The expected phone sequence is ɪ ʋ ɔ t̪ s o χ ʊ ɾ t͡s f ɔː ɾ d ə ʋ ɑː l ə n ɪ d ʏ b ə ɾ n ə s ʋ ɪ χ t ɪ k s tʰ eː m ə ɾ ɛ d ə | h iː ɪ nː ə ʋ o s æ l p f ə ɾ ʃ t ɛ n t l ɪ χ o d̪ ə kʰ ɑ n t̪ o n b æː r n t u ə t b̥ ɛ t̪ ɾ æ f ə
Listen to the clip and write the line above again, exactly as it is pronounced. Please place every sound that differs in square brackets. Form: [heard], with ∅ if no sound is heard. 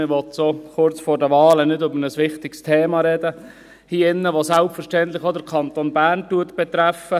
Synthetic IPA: ɪ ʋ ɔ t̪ s o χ ʊ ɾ t͡s f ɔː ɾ d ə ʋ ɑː l ə n ɪ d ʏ b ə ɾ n ə s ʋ ɪ χ t ɪ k s tʰ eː m [ɑ] ɾ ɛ d ə | h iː ɪ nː ə ʋ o s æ l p f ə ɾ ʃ t ɛ n t l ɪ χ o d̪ ə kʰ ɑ n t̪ o n b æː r n t u ə t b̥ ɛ t̪ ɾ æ f ə